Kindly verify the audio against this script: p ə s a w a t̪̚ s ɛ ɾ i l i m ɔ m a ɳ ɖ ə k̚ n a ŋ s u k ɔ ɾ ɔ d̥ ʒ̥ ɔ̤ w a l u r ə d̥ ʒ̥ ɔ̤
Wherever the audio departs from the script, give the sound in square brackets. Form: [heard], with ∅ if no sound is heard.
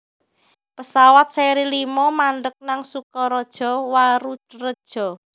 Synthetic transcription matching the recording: p ə s a w a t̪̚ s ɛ ɾ i l i m ɔ m a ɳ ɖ ə k̚ n a ŋ s u k ɔ ɾ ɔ d̥ ʒ̥ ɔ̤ w a [ɾ] u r ə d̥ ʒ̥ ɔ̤